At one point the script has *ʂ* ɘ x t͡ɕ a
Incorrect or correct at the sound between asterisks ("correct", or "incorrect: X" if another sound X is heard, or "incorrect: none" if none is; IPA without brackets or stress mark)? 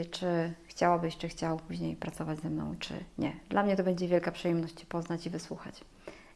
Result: incorrect: t͡ʂ